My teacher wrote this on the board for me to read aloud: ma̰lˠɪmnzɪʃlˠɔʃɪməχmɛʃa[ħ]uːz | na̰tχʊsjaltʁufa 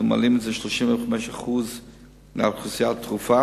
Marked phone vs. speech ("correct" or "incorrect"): incorrect